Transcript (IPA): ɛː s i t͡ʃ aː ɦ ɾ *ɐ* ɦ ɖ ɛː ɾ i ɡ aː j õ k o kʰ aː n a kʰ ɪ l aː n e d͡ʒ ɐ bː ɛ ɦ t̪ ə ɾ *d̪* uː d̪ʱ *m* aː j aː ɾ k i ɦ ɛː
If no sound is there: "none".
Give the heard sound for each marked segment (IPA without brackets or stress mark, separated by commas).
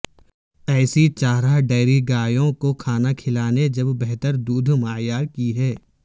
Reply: a, d̪, m